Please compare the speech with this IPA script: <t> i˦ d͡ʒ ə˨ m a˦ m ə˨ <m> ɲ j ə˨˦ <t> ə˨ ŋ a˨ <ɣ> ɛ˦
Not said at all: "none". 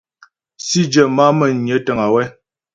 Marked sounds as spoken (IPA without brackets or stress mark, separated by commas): s, none, t, w